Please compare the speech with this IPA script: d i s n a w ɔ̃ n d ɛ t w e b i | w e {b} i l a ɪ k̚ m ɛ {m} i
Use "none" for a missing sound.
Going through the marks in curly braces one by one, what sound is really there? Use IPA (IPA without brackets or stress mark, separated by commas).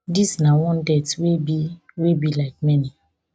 b, n